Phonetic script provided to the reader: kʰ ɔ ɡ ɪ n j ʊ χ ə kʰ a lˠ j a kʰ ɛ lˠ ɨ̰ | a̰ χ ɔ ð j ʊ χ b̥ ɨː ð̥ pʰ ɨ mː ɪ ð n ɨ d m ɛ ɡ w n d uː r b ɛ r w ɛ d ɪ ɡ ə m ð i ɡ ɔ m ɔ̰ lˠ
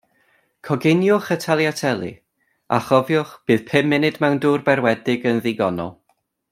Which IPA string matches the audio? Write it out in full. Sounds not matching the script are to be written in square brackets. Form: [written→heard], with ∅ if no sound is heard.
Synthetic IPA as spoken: kʰ ɔ ɡ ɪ n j ʊ χ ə [kʰ→tʰ] a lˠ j a [kʰ→tʰ] ɛ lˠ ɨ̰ | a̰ χ ɔ [ð→v] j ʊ χ b̥ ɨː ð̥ pʰ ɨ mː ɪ [ð→∅] n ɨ d m ɛ [ɡ→∅] w n d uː r b ɛ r w ɛ d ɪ ɡ ə [m→n] ð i ɡ ɔ [m→n] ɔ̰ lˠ